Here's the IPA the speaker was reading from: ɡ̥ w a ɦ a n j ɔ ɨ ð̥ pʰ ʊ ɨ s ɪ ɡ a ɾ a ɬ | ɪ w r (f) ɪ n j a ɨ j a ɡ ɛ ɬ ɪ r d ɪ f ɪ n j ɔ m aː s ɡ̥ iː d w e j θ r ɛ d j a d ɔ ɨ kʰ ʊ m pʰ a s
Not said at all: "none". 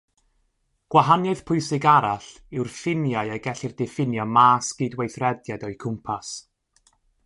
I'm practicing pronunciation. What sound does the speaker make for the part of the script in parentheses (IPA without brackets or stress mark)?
f